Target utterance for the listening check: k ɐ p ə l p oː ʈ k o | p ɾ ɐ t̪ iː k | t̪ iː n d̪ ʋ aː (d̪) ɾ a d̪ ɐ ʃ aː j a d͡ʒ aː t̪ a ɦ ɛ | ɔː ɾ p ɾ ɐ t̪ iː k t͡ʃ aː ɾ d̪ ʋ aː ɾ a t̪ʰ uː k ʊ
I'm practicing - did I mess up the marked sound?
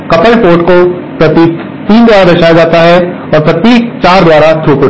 yes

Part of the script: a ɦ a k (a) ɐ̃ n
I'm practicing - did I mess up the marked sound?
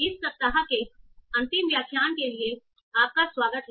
yes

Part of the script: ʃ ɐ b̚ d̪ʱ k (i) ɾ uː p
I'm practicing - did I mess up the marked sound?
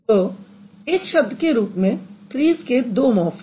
yes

